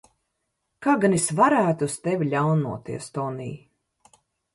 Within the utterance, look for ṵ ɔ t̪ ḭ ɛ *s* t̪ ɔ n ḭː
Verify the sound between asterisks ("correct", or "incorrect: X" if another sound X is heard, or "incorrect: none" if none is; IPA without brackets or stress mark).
correct